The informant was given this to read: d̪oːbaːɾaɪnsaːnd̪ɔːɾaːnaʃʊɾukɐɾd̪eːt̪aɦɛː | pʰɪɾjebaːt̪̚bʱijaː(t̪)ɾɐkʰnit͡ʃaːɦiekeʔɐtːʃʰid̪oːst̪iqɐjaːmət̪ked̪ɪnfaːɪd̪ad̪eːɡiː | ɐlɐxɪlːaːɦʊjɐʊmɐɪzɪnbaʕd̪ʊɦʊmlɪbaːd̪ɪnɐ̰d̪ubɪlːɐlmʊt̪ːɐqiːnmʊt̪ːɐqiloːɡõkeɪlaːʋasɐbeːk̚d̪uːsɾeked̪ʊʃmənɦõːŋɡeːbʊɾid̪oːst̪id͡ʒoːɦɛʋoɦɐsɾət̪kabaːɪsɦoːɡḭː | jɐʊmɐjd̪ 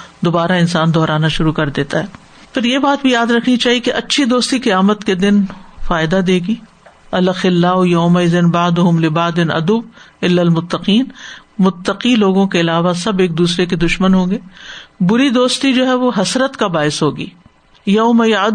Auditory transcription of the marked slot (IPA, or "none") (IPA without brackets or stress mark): d̪